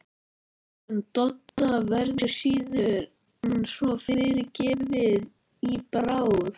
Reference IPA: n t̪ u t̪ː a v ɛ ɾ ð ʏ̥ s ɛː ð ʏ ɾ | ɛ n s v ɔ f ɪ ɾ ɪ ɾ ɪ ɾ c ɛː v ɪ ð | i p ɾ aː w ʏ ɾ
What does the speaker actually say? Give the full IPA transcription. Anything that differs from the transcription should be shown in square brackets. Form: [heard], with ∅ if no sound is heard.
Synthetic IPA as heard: n t̪ [ɔ] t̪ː a v ɛ ɾ ð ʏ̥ s [iː] ð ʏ ɾ | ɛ n s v ɔ f ɪ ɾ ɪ ɾ ɪ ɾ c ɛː v ɪ ð | i p ɾ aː w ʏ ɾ